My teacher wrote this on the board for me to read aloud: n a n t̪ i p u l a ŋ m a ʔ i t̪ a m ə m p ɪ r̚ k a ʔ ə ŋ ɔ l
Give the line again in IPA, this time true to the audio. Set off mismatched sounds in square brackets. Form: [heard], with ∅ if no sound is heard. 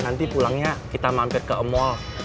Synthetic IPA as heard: n a n t̪ i p u l a ŋ [ɲ] a [k] i t̪ a m [a] m p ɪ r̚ k [ə] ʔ ə [m] ɔ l

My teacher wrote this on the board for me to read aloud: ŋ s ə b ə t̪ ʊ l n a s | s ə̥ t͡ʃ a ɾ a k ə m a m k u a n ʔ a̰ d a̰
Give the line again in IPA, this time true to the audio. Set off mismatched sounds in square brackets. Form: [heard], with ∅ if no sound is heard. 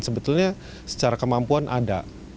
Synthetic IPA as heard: [n] s ə b ə t̪ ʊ l [ɲ] a [∅] | s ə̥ t͡ʃ a ɾ a k ə m a m [p] u a n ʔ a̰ d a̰

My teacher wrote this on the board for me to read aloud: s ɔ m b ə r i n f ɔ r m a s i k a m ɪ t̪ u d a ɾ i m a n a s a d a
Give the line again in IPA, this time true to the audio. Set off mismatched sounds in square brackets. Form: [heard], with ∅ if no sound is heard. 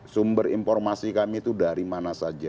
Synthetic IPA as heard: s [u] m b ə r i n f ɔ r m a s i k a m [i] t̪ u d a ɾ i m a n a s a [d͡ʒ] a

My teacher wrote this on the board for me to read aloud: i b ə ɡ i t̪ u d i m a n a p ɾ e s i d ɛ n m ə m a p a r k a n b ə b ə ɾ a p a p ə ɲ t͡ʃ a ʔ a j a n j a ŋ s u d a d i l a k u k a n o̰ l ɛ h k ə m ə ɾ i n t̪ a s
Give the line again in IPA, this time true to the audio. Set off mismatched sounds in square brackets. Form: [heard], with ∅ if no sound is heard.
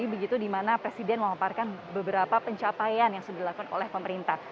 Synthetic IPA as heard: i b ə ɡ i t̪ u d i m a n a p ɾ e s i d ɛ n m ə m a p a r k a n b ə b ə ɾ a p a p ə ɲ t͡ʃ a [p] a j a n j a ŋ s u d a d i l a k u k a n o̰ l ɛ h [p] ə m ə ɾ i n t̪ a [h]

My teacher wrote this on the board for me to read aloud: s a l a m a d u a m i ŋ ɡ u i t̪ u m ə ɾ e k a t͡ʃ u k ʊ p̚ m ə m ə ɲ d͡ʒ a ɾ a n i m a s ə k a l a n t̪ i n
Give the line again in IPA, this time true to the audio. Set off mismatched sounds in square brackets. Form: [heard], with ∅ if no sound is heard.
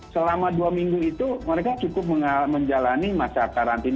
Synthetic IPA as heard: s [ə] l a m a d u a m i ŋ ɡ u i t̪ u m ə ɾ e k a t͡ʃ u k ʊ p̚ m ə m ə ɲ d͡ʒ a [l] a n i m a s [a] k a [ɾ] a n t̪ i n

